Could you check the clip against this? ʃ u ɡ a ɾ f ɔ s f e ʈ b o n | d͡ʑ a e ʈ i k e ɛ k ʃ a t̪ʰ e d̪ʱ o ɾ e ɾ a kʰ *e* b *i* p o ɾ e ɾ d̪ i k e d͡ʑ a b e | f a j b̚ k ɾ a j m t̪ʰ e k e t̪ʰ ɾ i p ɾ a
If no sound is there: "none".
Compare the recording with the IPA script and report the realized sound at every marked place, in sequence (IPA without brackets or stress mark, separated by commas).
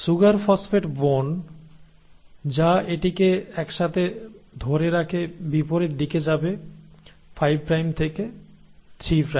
e, i